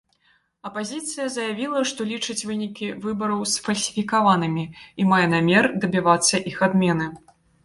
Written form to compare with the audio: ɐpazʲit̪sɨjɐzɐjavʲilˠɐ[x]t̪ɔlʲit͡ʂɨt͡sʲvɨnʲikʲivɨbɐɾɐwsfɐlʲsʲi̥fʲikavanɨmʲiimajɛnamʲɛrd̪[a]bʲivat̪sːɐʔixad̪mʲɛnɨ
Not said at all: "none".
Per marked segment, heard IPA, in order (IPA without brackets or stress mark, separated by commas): ʂ, ɐ